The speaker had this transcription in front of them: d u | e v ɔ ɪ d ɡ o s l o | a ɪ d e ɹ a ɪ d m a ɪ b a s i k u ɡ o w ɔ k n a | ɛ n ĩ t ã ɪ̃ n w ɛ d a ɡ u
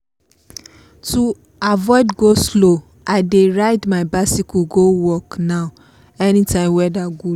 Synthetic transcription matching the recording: t u | a v ɔ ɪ d ɡ o s l o | a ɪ d e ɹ a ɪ d m a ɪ b a s i k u ɡ o w ɔ k n a | ɛ n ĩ t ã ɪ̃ m w ɛ d a ɡ u